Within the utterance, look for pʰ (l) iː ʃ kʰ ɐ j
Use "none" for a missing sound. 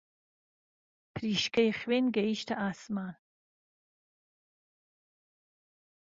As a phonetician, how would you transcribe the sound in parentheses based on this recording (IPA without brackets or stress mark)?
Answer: ɾ